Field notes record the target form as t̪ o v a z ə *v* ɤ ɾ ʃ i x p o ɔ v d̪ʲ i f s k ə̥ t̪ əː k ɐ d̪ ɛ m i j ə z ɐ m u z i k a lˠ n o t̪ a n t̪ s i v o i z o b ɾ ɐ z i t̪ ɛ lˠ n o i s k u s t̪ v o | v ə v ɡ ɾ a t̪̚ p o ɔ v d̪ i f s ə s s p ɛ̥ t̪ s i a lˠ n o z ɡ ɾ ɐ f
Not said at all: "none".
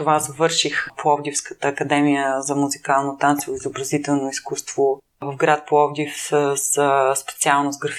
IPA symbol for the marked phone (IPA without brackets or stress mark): v